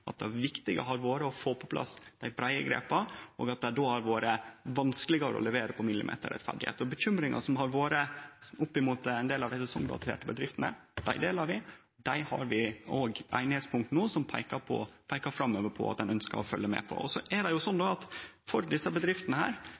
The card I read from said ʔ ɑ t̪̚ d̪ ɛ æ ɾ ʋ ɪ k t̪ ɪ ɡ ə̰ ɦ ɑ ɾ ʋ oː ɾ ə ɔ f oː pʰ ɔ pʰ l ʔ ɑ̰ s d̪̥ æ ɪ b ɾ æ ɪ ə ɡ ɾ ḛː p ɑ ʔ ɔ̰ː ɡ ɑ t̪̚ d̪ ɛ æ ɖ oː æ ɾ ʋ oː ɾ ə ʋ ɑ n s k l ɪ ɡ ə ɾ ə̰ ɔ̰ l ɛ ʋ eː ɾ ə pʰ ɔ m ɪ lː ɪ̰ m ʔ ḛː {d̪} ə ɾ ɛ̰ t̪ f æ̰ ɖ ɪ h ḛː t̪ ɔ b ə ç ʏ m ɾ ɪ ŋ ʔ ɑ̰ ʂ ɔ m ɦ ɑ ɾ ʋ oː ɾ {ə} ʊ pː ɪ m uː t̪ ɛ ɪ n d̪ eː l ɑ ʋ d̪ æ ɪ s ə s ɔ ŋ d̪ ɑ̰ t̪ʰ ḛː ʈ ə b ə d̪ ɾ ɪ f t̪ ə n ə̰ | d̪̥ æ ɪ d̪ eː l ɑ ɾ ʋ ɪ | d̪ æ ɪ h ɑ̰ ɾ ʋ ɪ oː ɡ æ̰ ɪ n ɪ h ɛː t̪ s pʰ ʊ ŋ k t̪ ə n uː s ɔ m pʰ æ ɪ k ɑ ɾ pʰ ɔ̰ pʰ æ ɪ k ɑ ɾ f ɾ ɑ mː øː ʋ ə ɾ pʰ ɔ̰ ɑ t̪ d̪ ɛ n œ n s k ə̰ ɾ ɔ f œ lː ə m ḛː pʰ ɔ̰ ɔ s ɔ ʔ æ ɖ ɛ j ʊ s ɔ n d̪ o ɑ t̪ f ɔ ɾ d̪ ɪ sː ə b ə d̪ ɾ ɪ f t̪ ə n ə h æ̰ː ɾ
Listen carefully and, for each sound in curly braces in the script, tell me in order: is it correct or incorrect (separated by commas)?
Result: incorrect, correct